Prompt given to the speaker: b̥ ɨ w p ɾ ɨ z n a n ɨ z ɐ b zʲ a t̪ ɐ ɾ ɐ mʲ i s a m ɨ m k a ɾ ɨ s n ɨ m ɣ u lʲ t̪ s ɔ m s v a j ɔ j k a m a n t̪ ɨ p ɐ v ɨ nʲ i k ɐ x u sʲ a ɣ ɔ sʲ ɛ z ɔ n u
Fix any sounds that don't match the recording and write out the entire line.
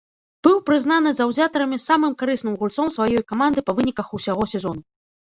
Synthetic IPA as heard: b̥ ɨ w p ɾ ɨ z n a n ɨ z ɐ w zʲ a t̪ ɐ ɾ ɐ mʲ i s a m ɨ m k a ɾ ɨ s n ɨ m ɣ u lʲ t̪ s ɔ m s v a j ɔ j k a m a n d̪ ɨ p ɐ v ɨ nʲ i k ɐ x u sʲ a ɣ ɔ sʲ ɛ z ɔ n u